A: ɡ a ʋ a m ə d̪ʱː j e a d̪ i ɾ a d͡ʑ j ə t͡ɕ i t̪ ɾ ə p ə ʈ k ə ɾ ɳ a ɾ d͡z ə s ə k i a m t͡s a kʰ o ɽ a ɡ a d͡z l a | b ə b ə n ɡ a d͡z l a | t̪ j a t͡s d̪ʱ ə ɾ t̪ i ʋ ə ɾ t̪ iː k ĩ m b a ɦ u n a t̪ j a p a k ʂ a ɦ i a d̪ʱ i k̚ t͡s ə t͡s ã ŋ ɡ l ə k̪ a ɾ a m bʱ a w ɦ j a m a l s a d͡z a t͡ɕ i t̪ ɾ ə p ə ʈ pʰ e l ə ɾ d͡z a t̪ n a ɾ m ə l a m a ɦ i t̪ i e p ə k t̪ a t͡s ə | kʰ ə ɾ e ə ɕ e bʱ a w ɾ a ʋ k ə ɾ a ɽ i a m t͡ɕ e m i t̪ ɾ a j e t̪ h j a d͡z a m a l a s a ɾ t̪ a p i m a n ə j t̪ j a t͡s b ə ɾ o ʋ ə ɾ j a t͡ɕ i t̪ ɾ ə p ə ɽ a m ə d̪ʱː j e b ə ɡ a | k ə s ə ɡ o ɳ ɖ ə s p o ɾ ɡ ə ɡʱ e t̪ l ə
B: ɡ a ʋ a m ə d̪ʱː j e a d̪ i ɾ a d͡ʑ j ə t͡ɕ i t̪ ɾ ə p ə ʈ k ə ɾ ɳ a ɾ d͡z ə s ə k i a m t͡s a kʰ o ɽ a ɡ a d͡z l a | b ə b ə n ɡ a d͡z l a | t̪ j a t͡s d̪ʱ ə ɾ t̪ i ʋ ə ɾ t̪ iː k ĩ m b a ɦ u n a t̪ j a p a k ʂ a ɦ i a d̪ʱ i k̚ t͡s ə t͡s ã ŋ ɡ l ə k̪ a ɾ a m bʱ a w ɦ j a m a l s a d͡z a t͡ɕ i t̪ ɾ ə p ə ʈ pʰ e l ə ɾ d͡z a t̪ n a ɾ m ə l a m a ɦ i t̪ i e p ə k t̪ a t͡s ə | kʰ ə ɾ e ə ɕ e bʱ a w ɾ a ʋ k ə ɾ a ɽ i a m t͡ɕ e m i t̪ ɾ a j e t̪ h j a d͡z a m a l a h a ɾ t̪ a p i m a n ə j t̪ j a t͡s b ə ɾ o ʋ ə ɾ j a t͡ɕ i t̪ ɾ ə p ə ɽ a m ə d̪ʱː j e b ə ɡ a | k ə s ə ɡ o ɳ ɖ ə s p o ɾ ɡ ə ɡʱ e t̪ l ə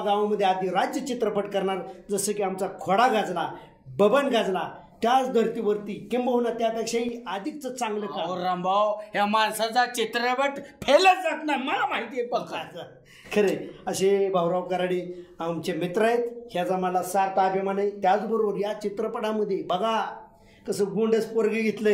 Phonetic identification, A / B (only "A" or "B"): A